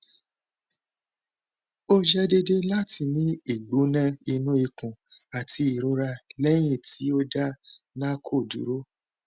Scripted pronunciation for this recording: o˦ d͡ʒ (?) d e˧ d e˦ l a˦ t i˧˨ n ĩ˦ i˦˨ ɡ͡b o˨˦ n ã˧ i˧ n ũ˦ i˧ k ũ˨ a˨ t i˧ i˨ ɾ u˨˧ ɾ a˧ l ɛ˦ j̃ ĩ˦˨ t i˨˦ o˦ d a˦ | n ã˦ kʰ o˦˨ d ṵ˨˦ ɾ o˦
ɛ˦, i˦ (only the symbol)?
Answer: ɛ˦